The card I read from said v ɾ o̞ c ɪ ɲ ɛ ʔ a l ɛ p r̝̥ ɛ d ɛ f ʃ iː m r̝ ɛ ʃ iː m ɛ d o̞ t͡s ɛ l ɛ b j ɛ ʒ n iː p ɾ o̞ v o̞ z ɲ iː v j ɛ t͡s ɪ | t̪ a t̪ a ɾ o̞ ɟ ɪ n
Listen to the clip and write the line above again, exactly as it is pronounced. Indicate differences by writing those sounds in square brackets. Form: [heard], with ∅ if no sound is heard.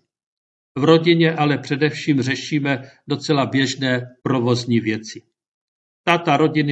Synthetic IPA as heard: v ɾ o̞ [ɟ] ɪ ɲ ɛ ʔ a l ɛ p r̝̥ ɛ d ɛ f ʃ iː m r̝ ɛ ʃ iː m ɛ d o̞ t͡s ɛ l [a] b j ɛ ʒ n [ɛː] p ɾ o̞ v o̞ z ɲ iː v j ɛ t͡s ɪ | t̪ a t̪ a ɾ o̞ ɟ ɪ n